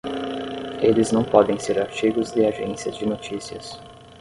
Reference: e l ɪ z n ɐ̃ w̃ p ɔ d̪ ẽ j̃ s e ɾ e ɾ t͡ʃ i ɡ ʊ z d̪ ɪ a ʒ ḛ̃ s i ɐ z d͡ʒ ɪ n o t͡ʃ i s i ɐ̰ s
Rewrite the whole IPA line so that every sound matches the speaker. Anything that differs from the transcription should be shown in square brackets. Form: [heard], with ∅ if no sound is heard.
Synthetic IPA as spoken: e l ɪ z n ɐ̃ w̃ p ɔ d̪ ẽ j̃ s e ɾ [a] ɾ t͡ʃ i ɡ ʊ z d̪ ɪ a ʒ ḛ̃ s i ɐ z d͡ʒ ɪ n o t͡ʃ i s i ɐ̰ s